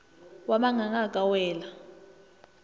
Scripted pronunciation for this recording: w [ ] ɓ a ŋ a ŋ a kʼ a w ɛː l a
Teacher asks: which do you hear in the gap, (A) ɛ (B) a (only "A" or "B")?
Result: B